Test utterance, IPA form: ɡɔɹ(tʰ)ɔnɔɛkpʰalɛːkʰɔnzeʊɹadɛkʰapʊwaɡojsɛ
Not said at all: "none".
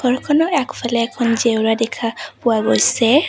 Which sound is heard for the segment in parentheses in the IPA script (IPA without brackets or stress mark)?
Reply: kʰ